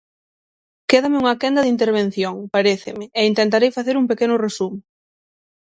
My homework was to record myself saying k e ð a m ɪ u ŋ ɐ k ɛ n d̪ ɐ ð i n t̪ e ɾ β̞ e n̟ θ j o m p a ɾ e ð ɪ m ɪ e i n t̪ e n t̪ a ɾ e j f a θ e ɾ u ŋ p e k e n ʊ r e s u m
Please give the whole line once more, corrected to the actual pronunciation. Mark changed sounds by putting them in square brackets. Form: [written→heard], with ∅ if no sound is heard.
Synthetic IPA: k e ð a m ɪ u ŋ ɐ k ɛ n d̪ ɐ ð i n t̪ e ɾ β̞ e n̟ θ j o [m→ŋ] p a ɾ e [ð→θ] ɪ m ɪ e i n t̪ e n t̪ a ɾ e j f a θ e ɾ u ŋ p e k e n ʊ r e s u m